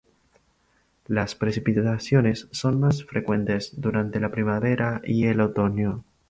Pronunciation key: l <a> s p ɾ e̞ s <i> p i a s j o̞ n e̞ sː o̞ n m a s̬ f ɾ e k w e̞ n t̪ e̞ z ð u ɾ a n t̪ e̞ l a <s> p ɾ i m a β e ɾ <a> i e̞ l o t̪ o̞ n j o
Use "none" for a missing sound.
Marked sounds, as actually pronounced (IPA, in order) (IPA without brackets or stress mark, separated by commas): a, i, none, a